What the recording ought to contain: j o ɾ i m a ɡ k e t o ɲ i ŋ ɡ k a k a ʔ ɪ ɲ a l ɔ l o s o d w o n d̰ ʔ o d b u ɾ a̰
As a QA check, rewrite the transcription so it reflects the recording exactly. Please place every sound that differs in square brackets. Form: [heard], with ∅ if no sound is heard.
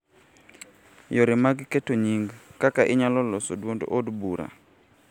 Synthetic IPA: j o ɾ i m a ɡ k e t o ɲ i ŋ ɡ k a k a ʔ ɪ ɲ a l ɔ l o s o d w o n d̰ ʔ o d b u ɾ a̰